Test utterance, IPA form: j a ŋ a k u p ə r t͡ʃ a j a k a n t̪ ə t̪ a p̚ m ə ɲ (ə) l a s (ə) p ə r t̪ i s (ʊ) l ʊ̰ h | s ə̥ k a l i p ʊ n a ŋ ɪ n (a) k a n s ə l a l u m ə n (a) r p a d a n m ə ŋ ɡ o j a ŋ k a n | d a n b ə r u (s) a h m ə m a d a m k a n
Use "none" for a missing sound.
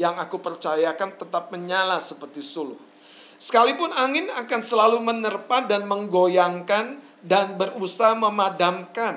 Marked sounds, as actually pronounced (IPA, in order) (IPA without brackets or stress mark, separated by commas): a, ə, u, a, ə, s